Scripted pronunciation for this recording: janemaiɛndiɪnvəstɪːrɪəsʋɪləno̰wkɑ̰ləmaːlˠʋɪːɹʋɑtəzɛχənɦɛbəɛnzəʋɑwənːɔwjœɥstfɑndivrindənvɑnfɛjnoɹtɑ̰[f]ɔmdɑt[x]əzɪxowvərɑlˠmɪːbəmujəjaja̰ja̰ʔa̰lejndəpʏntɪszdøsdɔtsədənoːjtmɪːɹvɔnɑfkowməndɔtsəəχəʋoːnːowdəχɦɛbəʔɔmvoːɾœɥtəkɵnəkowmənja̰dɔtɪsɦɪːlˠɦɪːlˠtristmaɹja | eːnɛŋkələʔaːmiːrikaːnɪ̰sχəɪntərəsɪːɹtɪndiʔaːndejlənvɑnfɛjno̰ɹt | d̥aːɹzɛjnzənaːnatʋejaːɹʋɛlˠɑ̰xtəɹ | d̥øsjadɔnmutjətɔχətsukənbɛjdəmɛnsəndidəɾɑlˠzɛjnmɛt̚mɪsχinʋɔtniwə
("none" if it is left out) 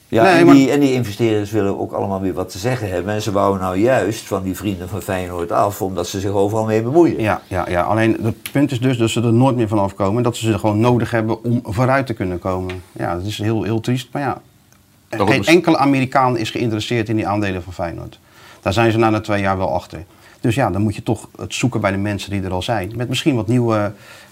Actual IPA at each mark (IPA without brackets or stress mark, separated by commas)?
f, s